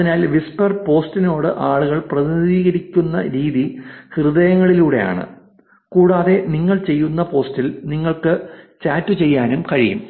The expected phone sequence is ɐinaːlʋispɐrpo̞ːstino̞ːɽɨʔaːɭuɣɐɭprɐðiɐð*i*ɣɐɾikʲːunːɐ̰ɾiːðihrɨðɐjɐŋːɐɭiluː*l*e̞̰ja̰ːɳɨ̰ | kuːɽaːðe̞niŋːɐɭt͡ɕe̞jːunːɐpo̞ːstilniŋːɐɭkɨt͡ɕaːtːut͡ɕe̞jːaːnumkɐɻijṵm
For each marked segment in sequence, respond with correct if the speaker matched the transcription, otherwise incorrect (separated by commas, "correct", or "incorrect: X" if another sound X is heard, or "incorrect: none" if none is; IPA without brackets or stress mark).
incorrect: iː, incorrect: ɽ